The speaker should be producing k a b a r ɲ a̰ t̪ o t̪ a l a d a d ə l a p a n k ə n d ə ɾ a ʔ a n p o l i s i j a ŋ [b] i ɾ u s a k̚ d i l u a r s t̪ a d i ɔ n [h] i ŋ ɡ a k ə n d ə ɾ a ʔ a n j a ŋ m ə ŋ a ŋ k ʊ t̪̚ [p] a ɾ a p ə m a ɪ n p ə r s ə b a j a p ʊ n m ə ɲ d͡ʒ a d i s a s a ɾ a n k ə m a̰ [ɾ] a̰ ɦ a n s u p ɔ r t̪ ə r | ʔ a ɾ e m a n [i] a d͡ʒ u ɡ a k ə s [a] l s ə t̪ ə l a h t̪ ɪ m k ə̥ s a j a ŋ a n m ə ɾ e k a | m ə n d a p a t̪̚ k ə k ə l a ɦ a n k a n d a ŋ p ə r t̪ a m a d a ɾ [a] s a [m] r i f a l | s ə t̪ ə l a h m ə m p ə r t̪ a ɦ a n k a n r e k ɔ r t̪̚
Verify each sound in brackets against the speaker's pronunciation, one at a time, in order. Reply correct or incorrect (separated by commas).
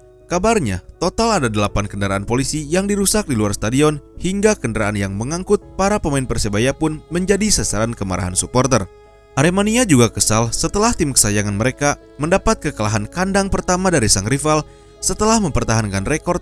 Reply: incorrect, correct, correct, correct, correct, correct, incorrect, incorrect